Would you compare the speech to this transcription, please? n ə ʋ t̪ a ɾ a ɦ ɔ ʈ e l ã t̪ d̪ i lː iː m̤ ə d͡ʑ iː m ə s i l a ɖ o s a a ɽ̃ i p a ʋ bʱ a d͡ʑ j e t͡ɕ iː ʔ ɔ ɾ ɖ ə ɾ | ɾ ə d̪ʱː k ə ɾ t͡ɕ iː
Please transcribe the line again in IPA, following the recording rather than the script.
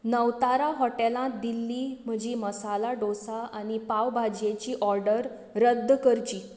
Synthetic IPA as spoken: n ə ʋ t̪ a ɾ a ɦ ɔ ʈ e l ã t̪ d̪ i lː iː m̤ ə d͡ʑ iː m ə s a l a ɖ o s a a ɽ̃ i p a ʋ bʱ a d͡ʑ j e t͡ɕ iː ʔ ɔ ɾ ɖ ə ɾ | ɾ ə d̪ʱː k ə ɾ t͡ɕ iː